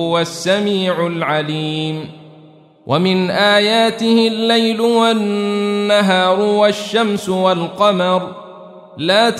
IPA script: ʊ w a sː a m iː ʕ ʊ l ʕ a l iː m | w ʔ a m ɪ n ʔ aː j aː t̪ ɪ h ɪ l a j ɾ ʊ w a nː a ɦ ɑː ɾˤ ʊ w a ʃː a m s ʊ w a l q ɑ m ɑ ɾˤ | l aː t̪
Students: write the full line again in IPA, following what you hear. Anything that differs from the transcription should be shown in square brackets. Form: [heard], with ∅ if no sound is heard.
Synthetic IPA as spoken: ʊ w a sː a m iː ʕ ʊ l ʕ a l iː m | w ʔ a m ɪ n ʔ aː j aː t̪ ɪ h ɪ [lː] a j [l] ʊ w a nː a ɦ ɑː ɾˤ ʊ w a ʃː a m s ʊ w a l q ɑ m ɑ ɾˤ | l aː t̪